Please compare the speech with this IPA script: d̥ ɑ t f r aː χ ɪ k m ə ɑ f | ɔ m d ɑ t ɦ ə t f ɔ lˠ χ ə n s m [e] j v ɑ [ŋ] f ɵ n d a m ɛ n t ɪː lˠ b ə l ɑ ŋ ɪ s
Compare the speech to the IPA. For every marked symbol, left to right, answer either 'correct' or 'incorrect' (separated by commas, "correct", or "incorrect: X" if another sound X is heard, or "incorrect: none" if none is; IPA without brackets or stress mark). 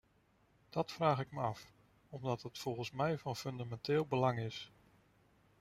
incorrect: ɛ, incorrect: n